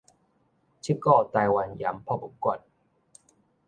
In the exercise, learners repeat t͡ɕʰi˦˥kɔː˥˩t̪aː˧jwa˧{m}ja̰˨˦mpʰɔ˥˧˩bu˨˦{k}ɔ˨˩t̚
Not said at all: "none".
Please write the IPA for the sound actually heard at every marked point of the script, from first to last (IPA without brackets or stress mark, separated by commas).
n, k